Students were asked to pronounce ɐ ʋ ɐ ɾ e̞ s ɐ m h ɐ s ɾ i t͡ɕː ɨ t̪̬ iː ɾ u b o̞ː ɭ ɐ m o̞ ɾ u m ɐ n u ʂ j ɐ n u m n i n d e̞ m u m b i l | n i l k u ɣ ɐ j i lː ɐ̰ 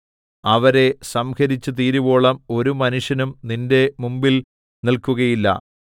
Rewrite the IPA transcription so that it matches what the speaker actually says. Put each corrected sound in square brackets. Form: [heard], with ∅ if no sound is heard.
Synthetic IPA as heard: ɐ ʋ ɐ ɾ e̞ s ɐ m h ɐ [∅] ɾ i t͡ɕː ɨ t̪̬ iː ɾ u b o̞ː ɭ ɐ m o̞ ɾ u m ɐ n u ʂ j ɐ n u m n i n d e̞ m u m b i l | n i l k u ɣ ɐ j i lː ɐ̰